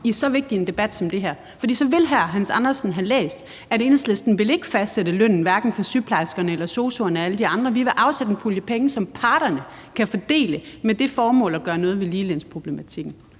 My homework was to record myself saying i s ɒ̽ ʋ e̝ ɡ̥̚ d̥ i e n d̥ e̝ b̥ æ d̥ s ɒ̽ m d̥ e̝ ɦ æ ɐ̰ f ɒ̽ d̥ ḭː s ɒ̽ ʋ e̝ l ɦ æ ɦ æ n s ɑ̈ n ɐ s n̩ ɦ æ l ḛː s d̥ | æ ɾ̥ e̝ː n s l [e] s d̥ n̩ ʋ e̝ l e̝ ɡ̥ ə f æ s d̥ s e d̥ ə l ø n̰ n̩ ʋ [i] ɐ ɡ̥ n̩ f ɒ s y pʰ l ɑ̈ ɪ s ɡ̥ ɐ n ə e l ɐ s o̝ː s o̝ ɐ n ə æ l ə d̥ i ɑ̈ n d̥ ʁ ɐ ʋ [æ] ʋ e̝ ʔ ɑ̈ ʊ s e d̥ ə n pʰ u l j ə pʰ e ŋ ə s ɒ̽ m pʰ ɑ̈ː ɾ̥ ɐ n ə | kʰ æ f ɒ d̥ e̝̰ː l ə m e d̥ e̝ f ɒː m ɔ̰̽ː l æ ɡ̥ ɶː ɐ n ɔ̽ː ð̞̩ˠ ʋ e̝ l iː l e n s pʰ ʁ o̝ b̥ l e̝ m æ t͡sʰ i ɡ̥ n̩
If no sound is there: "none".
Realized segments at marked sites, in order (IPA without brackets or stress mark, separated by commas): e, æ, i